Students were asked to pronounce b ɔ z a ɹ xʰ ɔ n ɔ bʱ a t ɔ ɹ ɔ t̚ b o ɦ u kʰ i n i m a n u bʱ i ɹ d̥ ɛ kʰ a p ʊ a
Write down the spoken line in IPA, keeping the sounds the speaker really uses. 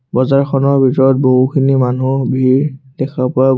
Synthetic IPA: b ɔ z a ɹ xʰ ɔ n ɔ bʱ i t ɔ ɹ ɔ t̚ b o ɦ u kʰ i n i m a n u bʱ i ɹ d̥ ɛ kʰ a p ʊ a